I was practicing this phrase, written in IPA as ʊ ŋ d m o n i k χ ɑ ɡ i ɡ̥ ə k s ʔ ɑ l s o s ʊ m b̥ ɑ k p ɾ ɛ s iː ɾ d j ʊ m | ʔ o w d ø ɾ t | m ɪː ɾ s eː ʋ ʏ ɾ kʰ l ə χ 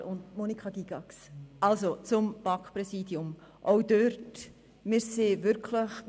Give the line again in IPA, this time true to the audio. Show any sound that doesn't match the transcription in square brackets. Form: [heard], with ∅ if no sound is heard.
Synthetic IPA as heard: ʊ [n] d m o n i k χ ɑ ɡ i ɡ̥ [ɑ] k s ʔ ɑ l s o [t͡s] ʊ m b̥ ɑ k p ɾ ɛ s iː [∅] d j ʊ m | ʔ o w d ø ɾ t | m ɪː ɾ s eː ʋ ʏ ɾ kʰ l ə χ